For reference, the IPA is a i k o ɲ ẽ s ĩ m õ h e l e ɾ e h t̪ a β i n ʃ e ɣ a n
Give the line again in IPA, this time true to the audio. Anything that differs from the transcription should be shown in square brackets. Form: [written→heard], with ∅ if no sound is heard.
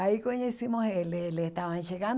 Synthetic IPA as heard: a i k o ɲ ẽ s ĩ m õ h e l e [ɾ→l] e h t̪ a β [i→a] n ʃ e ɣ a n